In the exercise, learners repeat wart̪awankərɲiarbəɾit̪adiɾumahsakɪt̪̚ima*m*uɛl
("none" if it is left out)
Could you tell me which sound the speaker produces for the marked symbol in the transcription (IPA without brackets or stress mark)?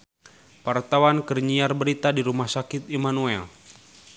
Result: n